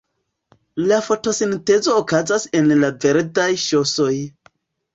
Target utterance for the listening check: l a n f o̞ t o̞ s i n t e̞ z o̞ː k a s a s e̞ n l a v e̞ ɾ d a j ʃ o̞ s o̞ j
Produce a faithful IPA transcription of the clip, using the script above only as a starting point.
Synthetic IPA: l a f o̞ t o̞ s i n t e̞ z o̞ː k a z a s e̞ n l a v e̞ ɾ d a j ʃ o̞ s o̞ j